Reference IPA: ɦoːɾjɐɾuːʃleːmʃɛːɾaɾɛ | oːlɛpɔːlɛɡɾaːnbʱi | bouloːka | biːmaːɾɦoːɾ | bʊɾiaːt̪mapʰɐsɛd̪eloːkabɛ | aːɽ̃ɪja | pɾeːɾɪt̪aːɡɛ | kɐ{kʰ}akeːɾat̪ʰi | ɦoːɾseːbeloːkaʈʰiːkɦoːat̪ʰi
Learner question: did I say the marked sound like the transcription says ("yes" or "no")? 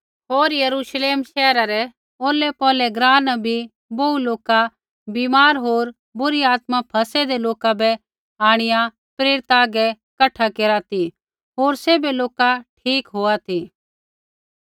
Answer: no